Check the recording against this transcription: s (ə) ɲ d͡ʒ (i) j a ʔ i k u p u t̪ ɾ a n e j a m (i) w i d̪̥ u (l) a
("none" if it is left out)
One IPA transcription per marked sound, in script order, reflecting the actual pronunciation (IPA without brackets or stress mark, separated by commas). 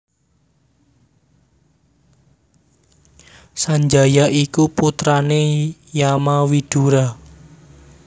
a, a, a, ɾ